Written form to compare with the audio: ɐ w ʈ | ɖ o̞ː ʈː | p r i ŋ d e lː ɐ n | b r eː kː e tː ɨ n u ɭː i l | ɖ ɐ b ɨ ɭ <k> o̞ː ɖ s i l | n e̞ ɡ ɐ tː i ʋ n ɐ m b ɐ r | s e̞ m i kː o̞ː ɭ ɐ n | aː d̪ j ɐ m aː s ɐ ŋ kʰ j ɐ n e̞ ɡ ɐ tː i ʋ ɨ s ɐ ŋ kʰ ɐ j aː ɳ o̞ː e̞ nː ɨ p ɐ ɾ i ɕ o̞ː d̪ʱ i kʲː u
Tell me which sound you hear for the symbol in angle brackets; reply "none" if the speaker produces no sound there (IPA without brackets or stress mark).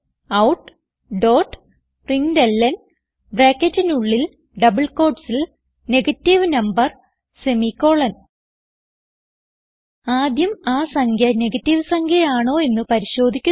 k